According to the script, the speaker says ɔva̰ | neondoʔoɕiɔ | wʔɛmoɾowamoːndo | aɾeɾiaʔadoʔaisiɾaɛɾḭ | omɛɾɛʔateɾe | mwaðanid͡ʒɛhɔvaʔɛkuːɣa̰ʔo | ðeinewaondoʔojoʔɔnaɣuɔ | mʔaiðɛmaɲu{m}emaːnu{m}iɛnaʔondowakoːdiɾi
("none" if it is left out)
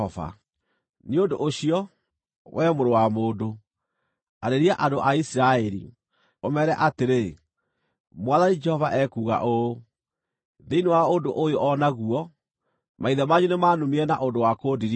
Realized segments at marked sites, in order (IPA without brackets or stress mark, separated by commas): n, m